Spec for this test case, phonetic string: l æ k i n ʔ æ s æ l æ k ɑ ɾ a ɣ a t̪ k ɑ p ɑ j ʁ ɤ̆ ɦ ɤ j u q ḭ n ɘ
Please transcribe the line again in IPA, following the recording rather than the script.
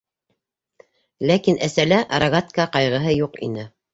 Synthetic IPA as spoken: l æ k i n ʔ æ s æ l æ ʔ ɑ ɾ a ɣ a t̪ k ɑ q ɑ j ʁ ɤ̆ ɦ ɤ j u q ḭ n ɘ